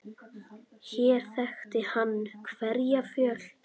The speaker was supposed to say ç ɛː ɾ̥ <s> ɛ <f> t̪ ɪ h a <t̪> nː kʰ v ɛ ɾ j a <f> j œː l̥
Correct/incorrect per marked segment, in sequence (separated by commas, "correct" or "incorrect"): incorrect, incorrect, incorrect, correct